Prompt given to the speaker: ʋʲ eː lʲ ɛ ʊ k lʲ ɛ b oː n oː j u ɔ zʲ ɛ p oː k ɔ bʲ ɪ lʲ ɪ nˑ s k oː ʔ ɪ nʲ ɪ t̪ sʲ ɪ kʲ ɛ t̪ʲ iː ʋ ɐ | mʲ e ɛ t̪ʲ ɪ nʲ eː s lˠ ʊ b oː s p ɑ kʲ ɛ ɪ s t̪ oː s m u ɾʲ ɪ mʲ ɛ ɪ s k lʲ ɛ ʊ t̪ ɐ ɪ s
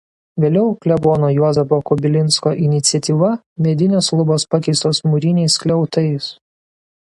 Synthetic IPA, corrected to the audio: ʋʲ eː lʲ ɛ ʊ k lʲ ɛ b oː n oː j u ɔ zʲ ɛ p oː k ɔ bʲ ɪ lʲ ɪ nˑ s k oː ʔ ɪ nʲ ɪ t̪ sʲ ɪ ɛ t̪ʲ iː ʋ ɐ | mʲ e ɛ d̪ʲ ɪ nʲ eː s lˠ ʊ b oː s p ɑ kʲ ɛ ɪ s t̪ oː s m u ɾʲ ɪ nʲ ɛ ɪ s k lʲ ɛ ʊ t̪ ɐ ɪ s